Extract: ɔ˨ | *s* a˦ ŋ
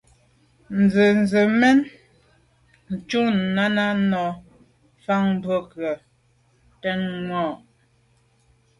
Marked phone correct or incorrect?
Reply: incorrect